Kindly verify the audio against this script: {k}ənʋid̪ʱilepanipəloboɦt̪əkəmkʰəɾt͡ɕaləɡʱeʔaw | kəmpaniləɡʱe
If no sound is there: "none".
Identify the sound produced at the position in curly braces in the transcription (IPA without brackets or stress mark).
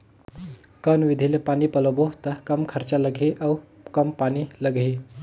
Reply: k